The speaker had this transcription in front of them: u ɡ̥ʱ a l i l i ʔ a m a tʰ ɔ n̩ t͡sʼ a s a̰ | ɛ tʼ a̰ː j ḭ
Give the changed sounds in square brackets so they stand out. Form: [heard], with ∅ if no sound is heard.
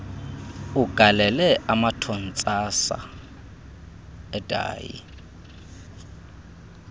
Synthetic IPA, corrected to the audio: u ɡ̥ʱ a l [ɛ] l [ɛ] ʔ a m a tʰ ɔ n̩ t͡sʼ a s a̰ | ɛ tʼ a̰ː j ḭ